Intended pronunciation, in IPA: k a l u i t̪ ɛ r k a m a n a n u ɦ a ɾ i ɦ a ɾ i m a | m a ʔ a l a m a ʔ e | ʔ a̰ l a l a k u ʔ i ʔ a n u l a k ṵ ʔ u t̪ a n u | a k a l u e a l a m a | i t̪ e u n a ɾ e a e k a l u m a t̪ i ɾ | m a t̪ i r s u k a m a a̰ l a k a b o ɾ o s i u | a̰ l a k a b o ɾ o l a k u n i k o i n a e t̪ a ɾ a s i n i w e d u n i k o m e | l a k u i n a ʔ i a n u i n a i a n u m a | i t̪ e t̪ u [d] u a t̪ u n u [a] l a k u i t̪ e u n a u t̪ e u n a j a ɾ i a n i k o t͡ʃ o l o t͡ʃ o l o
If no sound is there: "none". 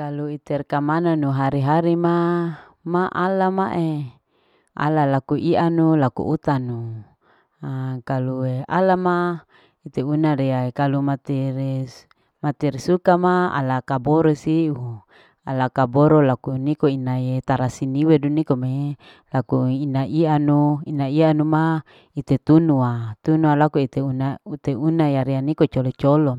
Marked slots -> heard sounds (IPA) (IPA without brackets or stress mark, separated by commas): n, a